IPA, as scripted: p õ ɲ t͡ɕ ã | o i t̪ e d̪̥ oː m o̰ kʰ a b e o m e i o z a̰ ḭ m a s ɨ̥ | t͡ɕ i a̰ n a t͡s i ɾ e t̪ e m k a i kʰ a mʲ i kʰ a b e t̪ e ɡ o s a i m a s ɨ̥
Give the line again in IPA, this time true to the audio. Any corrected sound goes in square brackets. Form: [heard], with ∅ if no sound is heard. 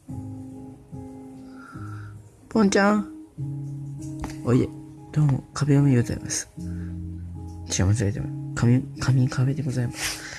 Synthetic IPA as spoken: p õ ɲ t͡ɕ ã | o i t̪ e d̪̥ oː m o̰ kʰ a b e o m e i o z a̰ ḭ m a s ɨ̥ | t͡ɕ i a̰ [m] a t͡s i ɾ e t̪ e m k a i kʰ a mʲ i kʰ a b e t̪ e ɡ o [z] a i m a s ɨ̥